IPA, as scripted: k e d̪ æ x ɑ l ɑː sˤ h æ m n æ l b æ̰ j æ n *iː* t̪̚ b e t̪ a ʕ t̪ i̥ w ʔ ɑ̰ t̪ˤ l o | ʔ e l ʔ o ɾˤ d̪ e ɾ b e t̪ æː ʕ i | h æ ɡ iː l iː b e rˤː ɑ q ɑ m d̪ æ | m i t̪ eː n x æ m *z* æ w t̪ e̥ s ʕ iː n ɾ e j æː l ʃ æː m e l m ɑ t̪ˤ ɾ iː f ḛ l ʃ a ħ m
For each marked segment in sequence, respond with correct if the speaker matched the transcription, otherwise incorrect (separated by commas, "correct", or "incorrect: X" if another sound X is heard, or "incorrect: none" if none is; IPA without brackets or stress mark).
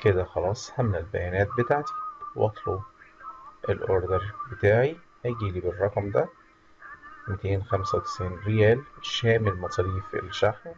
incorrect: æː, incorrect: s